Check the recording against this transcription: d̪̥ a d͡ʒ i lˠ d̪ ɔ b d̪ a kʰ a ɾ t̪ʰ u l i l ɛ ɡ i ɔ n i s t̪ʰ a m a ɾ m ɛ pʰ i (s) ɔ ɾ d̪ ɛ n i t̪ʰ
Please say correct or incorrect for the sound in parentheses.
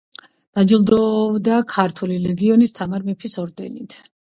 correct